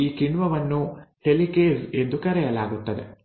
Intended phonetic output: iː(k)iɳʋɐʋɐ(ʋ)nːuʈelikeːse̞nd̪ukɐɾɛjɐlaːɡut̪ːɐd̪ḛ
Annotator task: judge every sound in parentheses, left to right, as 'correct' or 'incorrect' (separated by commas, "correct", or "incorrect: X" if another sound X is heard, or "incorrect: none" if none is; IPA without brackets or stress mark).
correct, incorrect: none